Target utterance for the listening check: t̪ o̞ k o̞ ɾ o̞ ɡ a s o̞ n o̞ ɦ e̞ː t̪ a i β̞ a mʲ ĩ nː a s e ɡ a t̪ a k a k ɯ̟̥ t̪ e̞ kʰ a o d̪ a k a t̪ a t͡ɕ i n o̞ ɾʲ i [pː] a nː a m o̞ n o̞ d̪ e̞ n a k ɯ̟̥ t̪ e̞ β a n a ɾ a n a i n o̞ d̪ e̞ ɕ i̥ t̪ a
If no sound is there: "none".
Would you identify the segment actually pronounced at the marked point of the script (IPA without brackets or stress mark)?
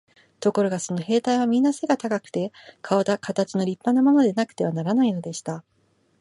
pː